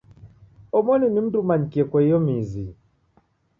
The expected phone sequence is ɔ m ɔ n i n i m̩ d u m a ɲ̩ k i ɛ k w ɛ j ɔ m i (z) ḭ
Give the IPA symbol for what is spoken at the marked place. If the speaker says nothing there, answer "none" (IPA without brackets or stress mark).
z